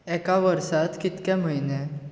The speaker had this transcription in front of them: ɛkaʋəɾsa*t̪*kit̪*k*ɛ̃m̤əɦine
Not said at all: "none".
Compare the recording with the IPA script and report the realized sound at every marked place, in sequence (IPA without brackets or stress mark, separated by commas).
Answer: t̪, k